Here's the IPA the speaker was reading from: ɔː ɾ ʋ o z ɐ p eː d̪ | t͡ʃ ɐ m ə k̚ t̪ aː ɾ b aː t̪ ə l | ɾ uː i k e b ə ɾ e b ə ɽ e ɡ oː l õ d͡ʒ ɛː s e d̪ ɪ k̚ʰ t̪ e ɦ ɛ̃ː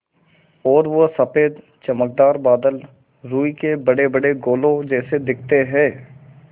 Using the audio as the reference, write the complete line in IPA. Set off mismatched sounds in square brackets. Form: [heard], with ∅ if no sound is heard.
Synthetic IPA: ɔː ɾ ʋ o [s] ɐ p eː d̪ | t͡ʃ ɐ m ə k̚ [d̪] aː ɾ b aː [d̪] ə l | ɾ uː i k e b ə [ɽ] e b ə ɽ e ɡ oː l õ d͡ʒ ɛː s e d̪ ɪ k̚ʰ t̪ e ɦ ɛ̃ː